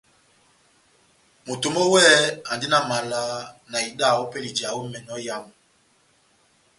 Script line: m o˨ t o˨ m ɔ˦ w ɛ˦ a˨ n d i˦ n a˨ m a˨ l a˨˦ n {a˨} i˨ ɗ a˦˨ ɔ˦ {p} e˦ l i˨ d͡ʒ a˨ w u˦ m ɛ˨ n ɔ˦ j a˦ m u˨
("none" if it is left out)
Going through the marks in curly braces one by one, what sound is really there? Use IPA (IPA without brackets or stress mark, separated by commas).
a˨, p